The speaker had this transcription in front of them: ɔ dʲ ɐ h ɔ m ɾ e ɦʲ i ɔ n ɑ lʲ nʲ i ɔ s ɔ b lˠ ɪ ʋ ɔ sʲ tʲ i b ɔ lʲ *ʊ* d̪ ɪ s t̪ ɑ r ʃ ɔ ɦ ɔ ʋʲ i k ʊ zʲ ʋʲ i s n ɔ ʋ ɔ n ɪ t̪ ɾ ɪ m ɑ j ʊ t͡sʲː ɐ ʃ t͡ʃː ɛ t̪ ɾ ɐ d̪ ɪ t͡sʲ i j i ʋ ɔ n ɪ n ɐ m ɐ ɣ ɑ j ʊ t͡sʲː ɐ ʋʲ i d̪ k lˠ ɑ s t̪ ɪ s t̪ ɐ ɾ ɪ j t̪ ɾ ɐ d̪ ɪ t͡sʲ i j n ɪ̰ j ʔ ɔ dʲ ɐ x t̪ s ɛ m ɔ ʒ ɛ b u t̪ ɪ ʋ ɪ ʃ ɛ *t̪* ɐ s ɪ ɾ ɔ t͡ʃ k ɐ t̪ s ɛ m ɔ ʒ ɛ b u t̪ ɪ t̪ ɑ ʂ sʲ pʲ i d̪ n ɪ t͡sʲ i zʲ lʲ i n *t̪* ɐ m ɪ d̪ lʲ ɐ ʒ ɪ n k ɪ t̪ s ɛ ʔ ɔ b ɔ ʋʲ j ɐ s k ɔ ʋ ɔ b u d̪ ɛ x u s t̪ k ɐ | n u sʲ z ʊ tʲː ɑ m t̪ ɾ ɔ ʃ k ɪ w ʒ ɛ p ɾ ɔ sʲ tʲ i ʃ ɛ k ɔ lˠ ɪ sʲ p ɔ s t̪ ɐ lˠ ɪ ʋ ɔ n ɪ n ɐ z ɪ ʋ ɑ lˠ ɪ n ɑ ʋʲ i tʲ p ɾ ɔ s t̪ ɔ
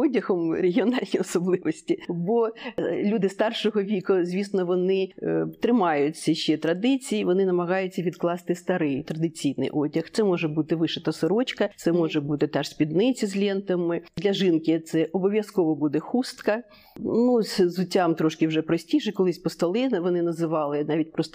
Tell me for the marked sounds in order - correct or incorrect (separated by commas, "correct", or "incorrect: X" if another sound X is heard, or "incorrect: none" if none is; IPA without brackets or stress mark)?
incorrect: u, correct, correct